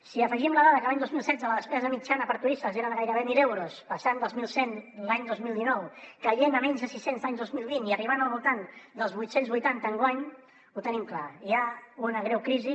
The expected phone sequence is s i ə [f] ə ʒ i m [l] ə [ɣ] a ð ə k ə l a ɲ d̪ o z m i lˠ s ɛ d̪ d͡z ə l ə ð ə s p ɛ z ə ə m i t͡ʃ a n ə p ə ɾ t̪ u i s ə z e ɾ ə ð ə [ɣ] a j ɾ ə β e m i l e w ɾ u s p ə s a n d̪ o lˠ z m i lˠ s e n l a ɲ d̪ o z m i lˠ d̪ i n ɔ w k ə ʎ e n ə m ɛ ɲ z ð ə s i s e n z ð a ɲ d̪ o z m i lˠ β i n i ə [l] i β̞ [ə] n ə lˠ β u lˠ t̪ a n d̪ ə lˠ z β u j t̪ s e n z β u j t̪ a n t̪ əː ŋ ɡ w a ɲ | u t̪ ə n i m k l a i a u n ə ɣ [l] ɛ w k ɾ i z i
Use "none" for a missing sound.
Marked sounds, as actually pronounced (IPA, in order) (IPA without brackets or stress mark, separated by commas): f, l, ð, ɣ, r, a, ɾ